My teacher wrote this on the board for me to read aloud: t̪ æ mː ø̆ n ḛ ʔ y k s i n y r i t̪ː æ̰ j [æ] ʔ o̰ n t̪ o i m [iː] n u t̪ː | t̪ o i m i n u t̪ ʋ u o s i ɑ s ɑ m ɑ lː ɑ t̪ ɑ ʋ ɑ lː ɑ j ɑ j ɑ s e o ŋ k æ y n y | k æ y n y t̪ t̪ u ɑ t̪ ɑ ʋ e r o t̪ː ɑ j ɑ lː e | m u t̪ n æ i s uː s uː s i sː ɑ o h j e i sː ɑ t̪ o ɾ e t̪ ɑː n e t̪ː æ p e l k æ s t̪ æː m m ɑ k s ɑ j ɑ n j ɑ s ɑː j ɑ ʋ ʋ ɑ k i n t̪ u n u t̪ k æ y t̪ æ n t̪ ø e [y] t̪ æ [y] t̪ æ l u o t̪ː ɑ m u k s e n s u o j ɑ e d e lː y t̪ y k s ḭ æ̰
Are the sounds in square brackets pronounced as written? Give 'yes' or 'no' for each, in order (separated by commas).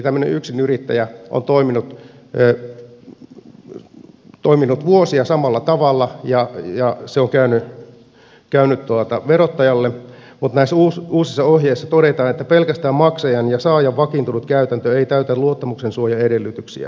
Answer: yes, no, no, yes